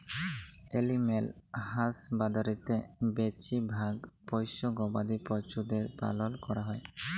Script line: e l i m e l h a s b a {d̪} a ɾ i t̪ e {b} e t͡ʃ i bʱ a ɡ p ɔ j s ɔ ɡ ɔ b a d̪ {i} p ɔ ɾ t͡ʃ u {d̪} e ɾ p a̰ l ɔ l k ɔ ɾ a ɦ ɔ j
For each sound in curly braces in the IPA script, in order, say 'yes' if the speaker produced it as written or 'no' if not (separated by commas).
yes, yes, yes, yes